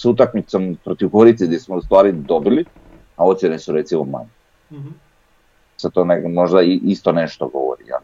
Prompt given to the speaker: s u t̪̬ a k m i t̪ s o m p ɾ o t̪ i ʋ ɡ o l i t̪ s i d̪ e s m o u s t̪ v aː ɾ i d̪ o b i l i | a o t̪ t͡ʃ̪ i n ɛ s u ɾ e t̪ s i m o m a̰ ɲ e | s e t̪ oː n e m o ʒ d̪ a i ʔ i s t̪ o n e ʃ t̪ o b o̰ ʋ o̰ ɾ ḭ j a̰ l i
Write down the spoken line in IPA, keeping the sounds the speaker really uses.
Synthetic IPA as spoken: s u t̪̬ a k m i t̪ s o m p ɾ o t̪ i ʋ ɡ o ɾ i t̪ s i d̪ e s m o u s t̪ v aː ɾ i d̪ o b i l i | a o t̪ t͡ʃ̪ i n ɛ s u ɾ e t̪ s i m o m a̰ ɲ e | s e t̪ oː n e m o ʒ d̪ a i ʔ i s t̪ o n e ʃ t̪ o ɡ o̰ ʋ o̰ ɾ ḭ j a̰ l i